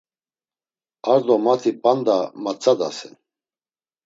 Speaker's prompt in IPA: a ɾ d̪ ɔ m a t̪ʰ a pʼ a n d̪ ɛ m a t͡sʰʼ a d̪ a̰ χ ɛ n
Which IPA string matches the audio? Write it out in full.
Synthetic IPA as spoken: a ɾ d̪ ɔ m a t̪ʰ i pʼ a n d̪ a m a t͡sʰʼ a d̪ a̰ s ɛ n